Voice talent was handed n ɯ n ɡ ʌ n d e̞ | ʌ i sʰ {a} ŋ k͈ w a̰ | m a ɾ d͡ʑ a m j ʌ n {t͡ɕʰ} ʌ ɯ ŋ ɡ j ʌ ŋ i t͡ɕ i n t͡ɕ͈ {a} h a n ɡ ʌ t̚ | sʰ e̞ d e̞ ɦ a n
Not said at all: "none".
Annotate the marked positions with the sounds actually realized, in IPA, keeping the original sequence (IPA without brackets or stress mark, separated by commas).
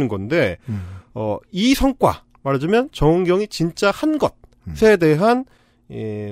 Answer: ʌ, t͡ɕ, a